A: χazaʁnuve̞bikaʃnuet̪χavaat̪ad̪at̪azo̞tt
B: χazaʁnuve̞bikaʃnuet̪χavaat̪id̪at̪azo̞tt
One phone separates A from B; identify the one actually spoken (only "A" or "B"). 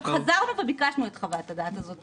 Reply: A